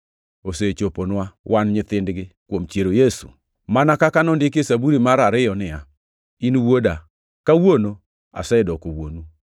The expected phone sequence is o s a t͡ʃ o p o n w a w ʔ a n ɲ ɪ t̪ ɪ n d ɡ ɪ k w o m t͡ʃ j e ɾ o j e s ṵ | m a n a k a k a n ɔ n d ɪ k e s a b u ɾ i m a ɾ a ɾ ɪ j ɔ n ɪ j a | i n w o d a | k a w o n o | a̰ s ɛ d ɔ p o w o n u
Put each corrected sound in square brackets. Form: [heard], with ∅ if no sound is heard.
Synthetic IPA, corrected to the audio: o s [e] t͡ʃ o p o n w a w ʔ a n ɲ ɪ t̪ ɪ n d ɡ ɪ k w o m t͡ʃ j e ɾ o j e s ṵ | m a n a k a k a n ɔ n d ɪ k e s a b u ɾ i m a ɾ a ɾ ɪ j ɔ n ɪ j a | i n w o d a | k a w o n o | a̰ s ɛ d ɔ [k] o w o n u